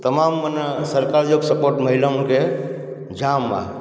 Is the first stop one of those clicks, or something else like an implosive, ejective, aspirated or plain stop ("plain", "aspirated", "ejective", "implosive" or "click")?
plain